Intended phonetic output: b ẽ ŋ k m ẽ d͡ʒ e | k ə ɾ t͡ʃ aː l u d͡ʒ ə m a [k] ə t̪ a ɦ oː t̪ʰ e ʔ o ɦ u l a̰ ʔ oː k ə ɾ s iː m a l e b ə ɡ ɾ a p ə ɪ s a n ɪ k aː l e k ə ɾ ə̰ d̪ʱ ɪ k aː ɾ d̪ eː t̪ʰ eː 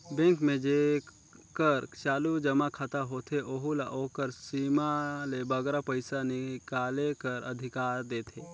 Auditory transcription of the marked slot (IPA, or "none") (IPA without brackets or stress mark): kʰ